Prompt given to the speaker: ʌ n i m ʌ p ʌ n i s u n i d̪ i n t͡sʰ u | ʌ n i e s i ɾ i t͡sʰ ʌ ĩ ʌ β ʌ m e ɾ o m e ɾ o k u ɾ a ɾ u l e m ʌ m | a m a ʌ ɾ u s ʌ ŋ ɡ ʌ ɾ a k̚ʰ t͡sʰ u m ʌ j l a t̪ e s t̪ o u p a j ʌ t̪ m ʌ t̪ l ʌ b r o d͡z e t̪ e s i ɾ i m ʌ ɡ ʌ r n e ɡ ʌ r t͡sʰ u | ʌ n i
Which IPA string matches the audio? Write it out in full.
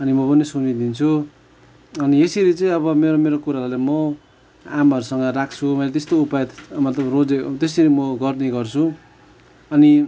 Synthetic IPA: ʌ n i m ʌ p ʌ n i s u n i d̪ i n t͡sʰ u | ʌ n i e s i ɾ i t͡s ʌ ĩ ʌ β ʌ m e ɾ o m e ɾ o k u ɾ a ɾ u l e m ʌ | a m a ʌ ɾ u s ʌ ŋ ɡ ʌ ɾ a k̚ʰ t͡sʰ u m ʌ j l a t̪ e s t̪ o u p a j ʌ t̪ m ʌ t̪ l ʌ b r o d͡z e t̪ e s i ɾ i m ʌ ɡ ʌ r n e ɡ ʌ r t͡sʰ u | ʌ n i